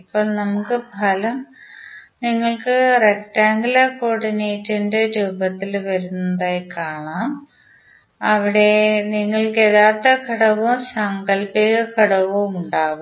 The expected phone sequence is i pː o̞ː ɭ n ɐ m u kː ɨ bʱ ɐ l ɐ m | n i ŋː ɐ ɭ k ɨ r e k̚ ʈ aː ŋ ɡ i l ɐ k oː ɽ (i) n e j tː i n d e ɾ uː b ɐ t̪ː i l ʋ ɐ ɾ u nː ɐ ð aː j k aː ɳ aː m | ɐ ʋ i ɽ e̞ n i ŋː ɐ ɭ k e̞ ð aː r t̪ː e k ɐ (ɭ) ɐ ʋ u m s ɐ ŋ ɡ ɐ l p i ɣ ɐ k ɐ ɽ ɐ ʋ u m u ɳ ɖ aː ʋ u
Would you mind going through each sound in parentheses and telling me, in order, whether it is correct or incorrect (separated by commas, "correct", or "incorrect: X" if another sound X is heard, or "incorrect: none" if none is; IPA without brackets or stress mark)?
correct, incorrect: ɽ